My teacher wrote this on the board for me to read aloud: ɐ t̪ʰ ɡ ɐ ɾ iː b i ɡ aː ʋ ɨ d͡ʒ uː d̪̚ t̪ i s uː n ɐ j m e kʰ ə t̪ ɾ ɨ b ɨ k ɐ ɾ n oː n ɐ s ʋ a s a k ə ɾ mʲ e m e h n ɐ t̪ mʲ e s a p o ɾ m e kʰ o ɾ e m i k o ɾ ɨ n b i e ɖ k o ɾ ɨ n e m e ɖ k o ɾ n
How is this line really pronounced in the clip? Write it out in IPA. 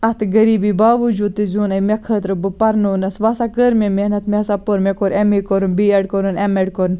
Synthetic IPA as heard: ɐ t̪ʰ ɡ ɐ ɾ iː b i b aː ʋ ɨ d͡ʒ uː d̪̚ t̪ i z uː n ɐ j m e kʰ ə t̪ ɾ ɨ b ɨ p ɐ ɾ n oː n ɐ s ʋ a s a k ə ɾ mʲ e m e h n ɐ t̪ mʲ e s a p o ɾ m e k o ɾ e m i k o ɾ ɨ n b i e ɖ k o ɾ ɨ n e m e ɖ k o ɾ n